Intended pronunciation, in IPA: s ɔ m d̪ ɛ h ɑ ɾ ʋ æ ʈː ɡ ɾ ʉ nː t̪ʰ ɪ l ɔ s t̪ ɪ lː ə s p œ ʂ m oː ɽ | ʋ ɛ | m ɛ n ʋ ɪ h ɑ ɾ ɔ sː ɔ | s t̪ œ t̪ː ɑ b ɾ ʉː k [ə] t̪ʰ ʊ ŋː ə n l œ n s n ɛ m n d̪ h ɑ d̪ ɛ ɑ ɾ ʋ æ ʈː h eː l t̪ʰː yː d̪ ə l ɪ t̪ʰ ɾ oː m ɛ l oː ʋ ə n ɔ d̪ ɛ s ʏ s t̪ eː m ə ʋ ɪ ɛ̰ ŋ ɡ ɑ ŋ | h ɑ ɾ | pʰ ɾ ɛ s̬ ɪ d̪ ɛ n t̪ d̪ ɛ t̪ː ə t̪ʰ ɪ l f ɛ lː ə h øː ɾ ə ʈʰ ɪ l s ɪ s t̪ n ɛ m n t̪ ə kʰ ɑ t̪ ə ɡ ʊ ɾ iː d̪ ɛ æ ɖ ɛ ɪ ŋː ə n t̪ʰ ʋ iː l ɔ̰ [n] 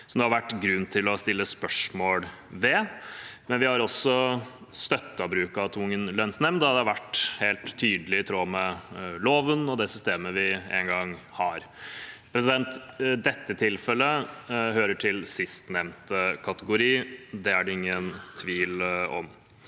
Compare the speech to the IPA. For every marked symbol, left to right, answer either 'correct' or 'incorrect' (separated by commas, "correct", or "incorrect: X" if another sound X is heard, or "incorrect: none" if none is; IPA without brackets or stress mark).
incorrect: ɑ, incorrect: m